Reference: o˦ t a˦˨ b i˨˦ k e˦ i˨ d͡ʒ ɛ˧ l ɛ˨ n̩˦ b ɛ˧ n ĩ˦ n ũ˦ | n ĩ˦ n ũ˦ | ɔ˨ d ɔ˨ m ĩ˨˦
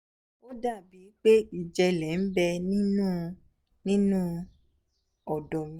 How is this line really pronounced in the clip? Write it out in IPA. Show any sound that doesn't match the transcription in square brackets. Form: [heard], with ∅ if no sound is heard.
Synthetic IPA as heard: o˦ [d] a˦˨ b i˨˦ [k͡p] e˦ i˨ d͡ʒ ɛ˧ l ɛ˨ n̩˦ b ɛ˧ n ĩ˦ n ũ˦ | n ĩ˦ n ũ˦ | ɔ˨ d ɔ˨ m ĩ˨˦